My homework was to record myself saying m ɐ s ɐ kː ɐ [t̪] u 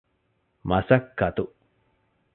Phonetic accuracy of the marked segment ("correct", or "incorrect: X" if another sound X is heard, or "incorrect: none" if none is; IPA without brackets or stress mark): correct